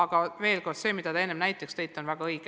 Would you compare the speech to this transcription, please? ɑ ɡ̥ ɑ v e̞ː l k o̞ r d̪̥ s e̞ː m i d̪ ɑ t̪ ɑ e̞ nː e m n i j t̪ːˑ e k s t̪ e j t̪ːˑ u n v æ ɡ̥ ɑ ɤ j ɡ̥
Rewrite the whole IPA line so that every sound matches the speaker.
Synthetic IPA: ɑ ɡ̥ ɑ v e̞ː l k o̞ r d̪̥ s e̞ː m i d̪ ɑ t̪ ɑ e̞ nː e m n æ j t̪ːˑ e k s t̪ e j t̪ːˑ o n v æ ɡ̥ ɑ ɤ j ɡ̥